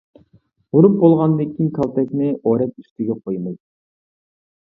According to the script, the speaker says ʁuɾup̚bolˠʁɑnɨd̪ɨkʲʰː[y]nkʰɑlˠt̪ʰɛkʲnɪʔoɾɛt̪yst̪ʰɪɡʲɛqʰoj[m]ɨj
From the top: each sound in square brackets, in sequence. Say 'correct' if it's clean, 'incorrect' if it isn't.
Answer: incorrect, correct

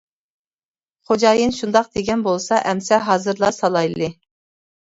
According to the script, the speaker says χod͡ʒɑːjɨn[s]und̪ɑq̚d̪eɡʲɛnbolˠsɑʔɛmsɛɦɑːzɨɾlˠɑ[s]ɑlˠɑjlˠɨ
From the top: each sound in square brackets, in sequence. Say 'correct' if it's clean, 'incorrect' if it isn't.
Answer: incorrect, correct

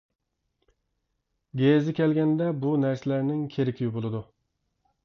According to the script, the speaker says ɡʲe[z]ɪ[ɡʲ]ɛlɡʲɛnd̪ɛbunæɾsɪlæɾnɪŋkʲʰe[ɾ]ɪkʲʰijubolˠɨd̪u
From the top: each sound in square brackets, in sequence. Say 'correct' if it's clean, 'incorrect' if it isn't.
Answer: correct, incorrect, correct

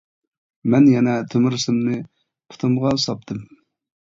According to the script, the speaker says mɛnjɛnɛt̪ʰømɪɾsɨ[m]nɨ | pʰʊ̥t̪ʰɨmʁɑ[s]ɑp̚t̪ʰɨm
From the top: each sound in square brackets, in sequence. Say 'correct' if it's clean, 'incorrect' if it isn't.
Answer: correct, correct

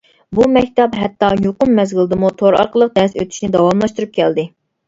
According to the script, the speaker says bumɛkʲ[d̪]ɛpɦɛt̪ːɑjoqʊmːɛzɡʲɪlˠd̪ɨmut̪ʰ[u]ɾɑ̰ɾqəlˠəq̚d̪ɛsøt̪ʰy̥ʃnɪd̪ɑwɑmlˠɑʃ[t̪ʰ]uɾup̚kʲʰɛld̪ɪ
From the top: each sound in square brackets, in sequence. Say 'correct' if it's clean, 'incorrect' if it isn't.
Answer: incorrect, incorrect, incorrect

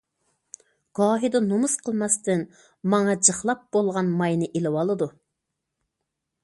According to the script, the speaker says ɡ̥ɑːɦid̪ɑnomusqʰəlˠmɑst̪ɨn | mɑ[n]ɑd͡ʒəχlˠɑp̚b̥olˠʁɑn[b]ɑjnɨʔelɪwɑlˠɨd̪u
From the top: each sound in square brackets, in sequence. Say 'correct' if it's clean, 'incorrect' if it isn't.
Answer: incorrect, incorrect

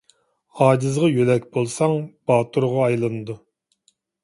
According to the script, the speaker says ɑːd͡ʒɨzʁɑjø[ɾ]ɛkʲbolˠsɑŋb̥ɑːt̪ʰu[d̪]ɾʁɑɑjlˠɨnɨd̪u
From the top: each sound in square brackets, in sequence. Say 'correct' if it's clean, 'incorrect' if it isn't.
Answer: incorrect, incorrect

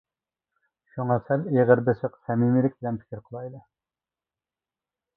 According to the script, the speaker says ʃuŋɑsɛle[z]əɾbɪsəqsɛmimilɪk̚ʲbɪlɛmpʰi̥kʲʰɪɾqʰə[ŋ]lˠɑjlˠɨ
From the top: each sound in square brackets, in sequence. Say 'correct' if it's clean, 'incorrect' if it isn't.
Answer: incorrect, incorrect

